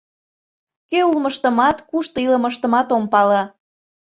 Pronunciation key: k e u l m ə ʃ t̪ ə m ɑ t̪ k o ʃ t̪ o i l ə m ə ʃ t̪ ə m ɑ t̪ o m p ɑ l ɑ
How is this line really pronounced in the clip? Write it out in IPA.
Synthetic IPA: k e u l m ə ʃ t̪ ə m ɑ t̪ k u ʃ t̪ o i l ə m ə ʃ t̪ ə m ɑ t̪ o m p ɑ l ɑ

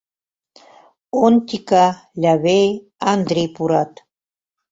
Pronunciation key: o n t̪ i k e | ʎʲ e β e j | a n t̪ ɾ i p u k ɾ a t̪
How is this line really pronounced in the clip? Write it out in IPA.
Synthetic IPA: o n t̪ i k a | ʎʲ a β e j | a n d̪ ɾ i p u ɾ a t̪

